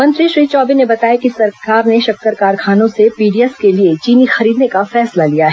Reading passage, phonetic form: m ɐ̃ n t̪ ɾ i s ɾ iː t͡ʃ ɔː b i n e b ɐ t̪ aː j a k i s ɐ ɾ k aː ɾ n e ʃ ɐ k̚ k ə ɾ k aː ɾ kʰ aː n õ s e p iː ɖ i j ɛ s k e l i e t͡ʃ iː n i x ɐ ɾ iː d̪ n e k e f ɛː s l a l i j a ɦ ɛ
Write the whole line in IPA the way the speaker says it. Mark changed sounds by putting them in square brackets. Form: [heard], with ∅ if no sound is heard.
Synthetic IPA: m ɐ̃ n t̪ ɾ i [ʃ] ɾ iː t͡ʃ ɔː b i n e b ɐ t̪ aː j a k i s ɐ ɾ k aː ɾ n e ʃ ɐ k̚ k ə ɾ k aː ɾ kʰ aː n õ s e p iː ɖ i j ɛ s k e l i e t͡ʃ iː n i x ɐ ɾ iː d̪ n e k [a] f ɛː s l a l i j a ɦ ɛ

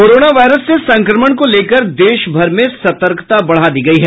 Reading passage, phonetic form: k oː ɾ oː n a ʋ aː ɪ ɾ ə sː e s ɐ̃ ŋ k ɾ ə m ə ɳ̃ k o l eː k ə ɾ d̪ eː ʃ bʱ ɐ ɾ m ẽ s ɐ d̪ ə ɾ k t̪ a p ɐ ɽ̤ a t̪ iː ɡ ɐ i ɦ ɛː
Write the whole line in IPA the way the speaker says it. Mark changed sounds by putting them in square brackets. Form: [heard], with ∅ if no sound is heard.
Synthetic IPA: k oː ɾ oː n a ʋ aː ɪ ɾ ə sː e s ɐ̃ ŋ k ɾ ə m ə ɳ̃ k o l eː k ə ɾ d̪ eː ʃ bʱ ɐ ɾ m ẽ s ɐ [t̪] ə ɾ k t̪ a [b] ɐ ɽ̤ a [d̪] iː ɡ ɐ i ɦ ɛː

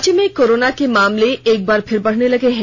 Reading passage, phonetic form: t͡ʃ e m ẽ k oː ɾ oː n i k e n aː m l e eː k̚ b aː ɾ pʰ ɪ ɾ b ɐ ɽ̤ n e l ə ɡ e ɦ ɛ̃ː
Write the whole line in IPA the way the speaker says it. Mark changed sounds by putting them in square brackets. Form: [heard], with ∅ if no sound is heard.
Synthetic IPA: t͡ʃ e m ẽ k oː ɾ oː n [a] k e [m] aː m l e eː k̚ b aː ɾ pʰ ɪ ɾ b ɐ ɽ̤ n e l [ɐ] ɡ e ɦ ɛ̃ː

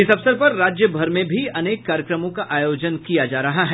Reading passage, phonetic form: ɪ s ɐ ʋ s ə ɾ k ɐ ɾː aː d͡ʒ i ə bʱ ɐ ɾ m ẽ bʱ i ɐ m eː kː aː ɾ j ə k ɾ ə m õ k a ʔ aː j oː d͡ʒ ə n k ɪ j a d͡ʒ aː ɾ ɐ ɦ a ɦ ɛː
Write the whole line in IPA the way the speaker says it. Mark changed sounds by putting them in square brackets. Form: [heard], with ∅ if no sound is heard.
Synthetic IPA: ɪ s ɐ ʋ s ə ɾ [p] ɐ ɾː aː d͡ʒ [j] ə bʱ ɐ ɾ m ẽ bʱ i ɐ [n] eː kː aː ɾ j ə k ɾ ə m õ k a ʔ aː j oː d͡ʒ ə n k [i] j a d͡ʒ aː ɾ ɐ ɦ a ɦ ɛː

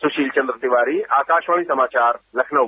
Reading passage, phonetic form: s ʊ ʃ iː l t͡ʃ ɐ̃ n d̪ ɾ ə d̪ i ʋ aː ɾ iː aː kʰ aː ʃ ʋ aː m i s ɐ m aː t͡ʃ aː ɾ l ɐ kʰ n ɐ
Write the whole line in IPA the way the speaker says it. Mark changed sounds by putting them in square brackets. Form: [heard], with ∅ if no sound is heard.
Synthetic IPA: s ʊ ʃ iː l t͡ʃ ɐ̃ n d̪ ɾ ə [t̪] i ʋ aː ɾ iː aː [k] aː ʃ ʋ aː m i s ɐ m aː t͡ʃ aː ɾ l ɐ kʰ n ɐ

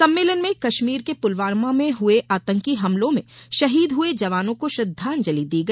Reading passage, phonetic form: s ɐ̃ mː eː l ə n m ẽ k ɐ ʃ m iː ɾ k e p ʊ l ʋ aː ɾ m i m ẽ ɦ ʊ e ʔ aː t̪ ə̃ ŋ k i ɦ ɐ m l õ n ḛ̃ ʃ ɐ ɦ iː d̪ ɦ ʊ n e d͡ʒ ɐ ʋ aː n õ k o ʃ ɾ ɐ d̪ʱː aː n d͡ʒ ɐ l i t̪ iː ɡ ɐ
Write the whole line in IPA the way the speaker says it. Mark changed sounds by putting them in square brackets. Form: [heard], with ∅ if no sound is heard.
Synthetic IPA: s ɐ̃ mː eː l ə n m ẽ k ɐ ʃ m iː ɾ k e p ʊ l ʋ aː ɾ m [a] m ẽ ɦ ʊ e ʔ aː t̪ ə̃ ŋ k i ɦ ɐ m l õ [m] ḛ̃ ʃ ɐ ɦ iː d̪ ɦ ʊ [∅] e d͡ʒ ɐ ʋ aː n õ k o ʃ ɾ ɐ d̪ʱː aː n d͡ʒ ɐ l i [d̪] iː ɡ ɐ

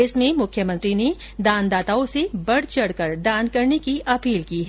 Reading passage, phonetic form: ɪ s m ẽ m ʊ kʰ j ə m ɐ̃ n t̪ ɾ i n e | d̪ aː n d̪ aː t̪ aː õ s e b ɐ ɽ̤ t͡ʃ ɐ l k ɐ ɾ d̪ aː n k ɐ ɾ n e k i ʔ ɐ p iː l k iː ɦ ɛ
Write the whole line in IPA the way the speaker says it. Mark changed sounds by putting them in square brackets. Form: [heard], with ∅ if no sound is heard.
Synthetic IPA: ɪ s m ẽ m ʊ kʰ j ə m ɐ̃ n t̪ ɾ i n e | d̪ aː n d̪ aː t̪ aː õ s e b ɐ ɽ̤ t͡ʃ ɐ [ɽ] k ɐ ɾ d̪ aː n k ɐ ɾ n e k i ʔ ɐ p iː l k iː ɦ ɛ

